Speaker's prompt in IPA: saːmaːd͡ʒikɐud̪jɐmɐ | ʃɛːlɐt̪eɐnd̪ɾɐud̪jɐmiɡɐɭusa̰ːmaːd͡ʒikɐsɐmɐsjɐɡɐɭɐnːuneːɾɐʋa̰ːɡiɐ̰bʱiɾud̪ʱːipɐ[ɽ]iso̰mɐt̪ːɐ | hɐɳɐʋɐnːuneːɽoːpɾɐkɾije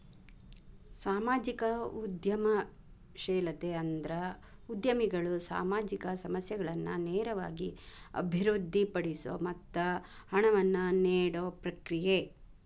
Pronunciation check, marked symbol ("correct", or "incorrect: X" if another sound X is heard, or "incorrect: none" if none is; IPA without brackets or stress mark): correct